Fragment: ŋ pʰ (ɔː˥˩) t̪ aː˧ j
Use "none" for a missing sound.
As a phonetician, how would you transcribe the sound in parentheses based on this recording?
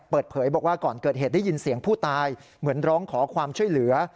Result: uː˥˩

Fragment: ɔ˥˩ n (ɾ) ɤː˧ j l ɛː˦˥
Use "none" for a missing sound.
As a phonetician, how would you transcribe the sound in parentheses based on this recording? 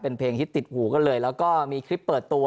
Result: l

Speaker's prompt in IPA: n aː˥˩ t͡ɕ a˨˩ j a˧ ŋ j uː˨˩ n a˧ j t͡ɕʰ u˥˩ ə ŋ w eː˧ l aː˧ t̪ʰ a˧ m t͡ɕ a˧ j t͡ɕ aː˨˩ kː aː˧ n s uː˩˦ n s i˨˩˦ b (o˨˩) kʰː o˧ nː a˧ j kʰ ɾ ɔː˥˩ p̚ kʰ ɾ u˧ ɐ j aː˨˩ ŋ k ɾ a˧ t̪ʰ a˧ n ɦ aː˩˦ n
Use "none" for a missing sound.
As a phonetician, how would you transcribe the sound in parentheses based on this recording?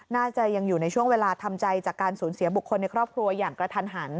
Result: u˨˩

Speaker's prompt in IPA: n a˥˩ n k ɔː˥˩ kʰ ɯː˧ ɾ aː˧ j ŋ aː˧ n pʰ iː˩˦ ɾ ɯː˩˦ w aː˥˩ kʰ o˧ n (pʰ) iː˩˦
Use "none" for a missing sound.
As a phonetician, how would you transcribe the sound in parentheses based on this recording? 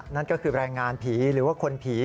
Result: pʰ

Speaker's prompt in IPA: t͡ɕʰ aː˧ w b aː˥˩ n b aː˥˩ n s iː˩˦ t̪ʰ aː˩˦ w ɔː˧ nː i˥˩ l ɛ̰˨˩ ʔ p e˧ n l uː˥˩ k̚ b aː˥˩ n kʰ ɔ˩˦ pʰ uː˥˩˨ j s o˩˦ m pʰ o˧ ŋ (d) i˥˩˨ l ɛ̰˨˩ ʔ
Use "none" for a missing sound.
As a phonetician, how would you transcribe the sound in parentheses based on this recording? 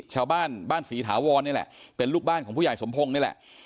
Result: n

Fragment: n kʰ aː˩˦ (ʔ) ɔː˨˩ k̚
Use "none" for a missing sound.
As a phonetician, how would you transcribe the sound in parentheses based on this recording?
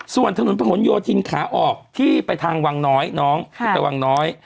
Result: ʔ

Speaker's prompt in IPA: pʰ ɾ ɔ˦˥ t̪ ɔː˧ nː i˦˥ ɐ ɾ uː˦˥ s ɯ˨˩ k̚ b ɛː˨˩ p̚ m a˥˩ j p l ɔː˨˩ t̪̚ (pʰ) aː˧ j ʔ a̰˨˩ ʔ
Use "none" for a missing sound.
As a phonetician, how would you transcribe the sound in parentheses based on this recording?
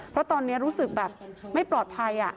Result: pʰ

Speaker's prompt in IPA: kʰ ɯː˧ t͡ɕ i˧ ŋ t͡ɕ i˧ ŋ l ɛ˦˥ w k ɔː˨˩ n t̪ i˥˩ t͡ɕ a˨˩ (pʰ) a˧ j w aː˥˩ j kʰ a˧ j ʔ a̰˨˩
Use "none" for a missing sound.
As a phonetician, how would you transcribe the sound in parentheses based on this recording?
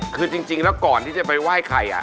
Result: p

